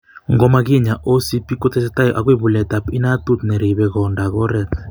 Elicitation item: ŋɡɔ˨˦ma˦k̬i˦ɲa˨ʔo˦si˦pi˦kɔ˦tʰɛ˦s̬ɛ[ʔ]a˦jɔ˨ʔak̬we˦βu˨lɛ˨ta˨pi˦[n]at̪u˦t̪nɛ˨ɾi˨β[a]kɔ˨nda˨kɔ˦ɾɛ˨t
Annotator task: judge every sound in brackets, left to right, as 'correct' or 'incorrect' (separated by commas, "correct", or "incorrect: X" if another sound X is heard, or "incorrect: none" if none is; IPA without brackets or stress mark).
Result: incorrect: t, correct, incorrect: ɛ